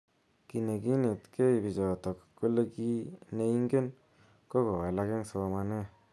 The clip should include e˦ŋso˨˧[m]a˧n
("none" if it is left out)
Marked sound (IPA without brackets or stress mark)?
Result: m